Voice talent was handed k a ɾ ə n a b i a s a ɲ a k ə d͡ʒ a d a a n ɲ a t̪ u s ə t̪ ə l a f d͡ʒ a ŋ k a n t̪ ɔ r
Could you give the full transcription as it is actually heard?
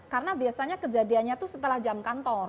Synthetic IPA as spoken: k a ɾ ə n a b i a s a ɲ a k ə d͡ʒ a d i a n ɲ a t̪ u s ə t̪ ə l a h d͡ʒ a m k a n t̪ ɔ r